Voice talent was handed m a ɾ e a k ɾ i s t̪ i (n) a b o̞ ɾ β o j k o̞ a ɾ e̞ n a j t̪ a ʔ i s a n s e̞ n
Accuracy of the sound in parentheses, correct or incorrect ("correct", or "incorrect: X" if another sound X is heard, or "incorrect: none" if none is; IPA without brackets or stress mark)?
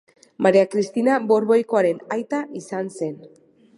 correct